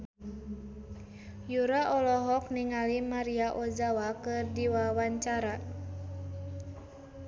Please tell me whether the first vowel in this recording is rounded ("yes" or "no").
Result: yes